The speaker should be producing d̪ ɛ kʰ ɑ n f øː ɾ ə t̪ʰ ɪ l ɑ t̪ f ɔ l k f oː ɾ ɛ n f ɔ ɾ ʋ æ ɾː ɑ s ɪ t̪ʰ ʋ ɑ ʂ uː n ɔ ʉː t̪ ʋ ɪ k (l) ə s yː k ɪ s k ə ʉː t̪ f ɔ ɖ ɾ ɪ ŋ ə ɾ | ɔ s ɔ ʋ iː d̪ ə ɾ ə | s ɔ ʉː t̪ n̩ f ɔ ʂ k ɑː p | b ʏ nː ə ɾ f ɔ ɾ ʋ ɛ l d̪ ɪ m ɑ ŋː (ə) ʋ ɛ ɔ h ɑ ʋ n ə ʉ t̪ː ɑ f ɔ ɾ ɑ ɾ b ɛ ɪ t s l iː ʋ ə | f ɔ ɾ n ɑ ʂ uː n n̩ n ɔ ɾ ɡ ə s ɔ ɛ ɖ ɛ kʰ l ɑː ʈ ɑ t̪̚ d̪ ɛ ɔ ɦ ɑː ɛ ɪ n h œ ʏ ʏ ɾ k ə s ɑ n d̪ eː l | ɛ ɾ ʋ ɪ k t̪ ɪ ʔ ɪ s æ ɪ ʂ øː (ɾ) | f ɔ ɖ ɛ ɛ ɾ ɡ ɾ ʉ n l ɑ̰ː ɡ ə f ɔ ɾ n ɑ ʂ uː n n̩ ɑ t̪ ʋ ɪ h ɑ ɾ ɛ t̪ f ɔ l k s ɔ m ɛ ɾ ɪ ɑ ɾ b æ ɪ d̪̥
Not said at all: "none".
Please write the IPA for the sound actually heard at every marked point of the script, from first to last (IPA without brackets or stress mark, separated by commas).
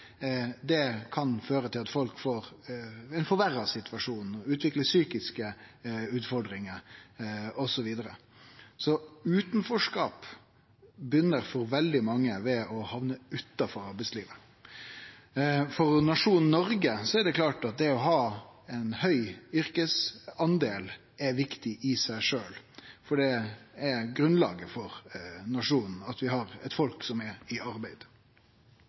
l, ə, l